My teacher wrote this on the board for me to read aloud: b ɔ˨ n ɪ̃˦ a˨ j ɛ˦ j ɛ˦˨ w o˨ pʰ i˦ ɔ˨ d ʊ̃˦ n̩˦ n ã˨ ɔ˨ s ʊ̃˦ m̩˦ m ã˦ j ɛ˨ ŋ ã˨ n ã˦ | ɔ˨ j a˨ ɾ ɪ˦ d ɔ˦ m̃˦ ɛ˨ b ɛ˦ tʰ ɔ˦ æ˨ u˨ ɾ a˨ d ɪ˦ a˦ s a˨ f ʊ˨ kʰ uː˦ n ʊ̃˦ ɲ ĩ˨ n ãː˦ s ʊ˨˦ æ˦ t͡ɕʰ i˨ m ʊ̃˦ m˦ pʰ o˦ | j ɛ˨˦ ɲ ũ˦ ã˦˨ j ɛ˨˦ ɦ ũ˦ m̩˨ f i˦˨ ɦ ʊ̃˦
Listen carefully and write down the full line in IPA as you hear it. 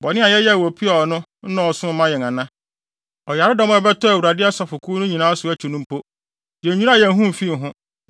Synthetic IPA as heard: b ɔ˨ n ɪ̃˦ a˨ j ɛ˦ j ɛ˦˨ w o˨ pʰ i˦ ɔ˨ n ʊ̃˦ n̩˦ n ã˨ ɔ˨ s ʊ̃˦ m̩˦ m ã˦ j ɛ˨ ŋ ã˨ n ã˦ | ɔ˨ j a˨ ɾ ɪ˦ d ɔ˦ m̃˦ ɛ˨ b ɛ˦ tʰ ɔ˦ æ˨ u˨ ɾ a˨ d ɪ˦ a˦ s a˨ f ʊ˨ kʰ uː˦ n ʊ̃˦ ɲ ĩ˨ n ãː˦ s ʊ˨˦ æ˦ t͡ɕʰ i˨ n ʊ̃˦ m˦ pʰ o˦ | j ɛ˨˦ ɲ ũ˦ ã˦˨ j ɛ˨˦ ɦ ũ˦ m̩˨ f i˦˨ ɦ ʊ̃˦